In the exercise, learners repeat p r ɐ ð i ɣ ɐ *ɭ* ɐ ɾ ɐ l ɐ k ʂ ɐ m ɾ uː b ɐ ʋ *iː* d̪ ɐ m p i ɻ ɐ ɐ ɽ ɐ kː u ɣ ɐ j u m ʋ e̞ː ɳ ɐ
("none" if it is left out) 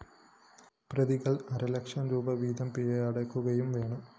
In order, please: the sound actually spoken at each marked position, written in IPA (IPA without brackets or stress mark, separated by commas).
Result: ɭ, iː